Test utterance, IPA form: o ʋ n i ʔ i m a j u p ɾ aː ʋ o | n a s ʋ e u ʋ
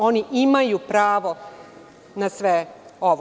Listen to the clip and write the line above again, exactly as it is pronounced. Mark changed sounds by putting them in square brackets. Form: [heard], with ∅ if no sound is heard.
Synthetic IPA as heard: o [∅] n i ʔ i m a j u p ɾ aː ʋ o | n a s ʋ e [o] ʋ

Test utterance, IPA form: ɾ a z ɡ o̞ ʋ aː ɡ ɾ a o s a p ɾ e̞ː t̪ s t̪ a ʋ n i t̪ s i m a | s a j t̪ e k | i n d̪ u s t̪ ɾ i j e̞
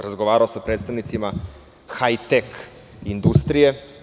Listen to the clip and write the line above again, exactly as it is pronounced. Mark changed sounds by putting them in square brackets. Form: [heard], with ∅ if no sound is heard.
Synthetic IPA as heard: ɾ a z ɡ o̞ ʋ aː [∅] ɾ a o s a p ɾ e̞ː t̪ s t̪ a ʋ n i t̪ s i m a | [x] a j t̪ e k | i n d̪ u s t̪ ɾ i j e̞

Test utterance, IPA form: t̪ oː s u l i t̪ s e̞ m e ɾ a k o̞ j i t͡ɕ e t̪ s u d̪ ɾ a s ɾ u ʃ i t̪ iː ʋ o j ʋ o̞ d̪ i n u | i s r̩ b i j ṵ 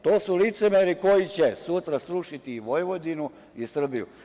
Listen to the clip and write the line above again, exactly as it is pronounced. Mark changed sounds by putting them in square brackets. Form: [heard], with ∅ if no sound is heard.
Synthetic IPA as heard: t̪ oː s u l i t̪ s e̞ m e ɾ [i] k o̞ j i t͡ɕ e [∅] s u [t̪] ɾ a s ɾ u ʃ i t̪ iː ʋ o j ʋ o̞ d̪ i n u | i s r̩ b i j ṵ

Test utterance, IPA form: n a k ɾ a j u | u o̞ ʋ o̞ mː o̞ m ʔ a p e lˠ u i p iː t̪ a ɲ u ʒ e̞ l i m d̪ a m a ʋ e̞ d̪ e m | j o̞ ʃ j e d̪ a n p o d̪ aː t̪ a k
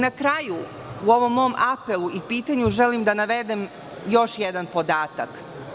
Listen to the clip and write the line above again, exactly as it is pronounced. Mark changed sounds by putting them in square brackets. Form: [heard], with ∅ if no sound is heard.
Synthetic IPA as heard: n a k ɾ a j u | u o̞ ʋ o̞ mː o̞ m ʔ a p e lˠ u i p iː t̪ a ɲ u ʒ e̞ l i m d̪ a [n] a ʋ e̞ d̪ e m | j o̞ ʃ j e d̪ a n p o d̪ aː t̪ a k

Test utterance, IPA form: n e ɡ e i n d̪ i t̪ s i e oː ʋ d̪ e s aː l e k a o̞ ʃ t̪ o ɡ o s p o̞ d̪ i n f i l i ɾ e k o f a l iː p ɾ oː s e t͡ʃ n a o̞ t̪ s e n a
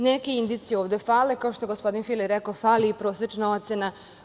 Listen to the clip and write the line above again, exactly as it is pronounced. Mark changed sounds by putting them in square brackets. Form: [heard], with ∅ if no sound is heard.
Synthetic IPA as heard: n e [k] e i n d̪ i t̪ s i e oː ʋ d̪ e [f] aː l e k a o̞ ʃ t̪ o ɡ o s p o̞ d̪ i n f i l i ɾ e k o f a l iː p ɾ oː s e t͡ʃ n a o̞ t̪ s e n a

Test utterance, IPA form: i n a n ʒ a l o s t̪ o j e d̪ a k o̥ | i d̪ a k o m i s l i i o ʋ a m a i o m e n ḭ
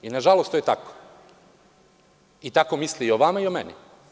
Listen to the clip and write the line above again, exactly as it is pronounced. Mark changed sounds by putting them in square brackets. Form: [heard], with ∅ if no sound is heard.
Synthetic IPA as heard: i n a [∅] ʒ a l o s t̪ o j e [t̪] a k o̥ | i [t̪] a k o m i s l i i o ʋ a m a i o m e n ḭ

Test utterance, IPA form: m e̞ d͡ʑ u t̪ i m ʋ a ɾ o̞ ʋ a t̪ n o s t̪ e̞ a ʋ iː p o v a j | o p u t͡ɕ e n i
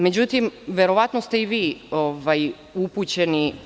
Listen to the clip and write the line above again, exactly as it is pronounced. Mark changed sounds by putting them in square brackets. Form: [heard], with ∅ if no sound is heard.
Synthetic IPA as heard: m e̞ d͡ʑ u t̪ i m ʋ [e] ɾ o̞ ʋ a t̪ n o s t̪ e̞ [i] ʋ iː [∅] o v a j | [u] p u t͡ɕ e n i

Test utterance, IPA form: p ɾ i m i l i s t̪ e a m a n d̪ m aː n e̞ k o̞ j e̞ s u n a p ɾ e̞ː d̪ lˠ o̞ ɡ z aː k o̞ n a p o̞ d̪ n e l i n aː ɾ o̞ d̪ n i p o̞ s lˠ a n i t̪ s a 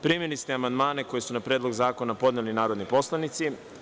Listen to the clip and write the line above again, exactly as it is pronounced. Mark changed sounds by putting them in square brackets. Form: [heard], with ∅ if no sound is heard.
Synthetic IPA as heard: p ɾ i m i l i s t̪ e a m a n d̪ m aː n e̞ k o̞ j e̞ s u n a p ɾ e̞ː d̪ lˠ o̞ ɡ z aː k o̞ n a p o̞ d̪ n e l i n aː ɾ o̞ d̪ n i p o̞ s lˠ a n i t̪ s [i]

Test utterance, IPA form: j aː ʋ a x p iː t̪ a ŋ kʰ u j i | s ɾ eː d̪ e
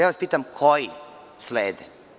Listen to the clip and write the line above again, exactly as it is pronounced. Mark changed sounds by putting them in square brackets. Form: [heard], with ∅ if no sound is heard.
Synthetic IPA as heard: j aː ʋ a [s] p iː t̪ a [m] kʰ [o] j i | s [l] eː d̪ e

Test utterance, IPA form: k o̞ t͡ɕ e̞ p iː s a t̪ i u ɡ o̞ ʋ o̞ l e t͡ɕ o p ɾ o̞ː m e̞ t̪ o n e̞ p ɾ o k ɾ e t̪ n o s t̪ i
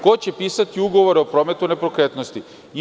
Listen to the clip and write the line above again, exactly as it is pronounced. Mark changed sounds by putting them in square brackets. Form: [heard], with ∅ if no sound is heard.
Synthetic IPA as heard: k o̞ t͡ɕ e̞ p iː s a t̪ i u ɡ o̞ ʋ o̞ [ɾ] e [∅] o p ɾ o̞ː m e̞ t̪ [u] n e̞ p ɾ o k ɾ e t̪ n o s t̪ i

